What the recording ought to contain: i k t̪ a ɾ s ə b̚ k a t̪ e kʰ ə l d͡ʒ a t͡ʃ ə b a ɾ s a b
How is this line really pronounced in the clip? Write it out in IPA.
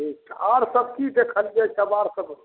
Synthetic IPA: i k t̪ a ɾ s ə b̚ k i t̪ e kʰ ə l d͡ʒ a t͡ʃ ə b a ɾ s ə b